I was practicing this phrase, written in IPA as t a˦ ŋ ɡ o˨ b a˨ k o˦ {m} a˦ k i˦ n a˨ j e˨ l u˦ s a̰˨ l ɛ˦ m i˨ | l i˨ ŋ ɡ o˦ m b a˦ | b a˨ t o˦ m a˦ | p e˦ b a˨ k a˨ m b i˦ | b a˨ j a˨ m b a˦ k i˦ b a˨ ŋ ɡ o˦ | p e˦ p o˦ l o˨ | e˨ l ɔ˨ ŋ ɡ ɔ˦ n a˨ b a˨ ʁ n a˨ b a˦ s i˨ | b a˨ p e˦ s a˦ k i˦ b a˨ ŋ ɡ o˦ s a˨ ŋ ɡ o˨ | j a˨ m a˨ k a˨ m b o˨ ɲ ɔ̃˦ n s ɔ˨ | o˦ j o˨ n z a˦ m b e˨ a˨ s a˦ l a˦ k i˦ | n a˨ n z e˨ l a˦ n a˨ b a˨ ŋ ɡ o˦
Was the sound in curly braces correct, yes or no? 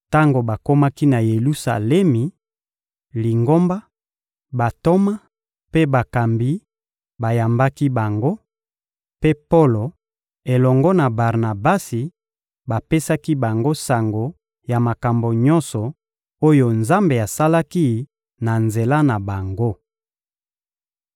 yes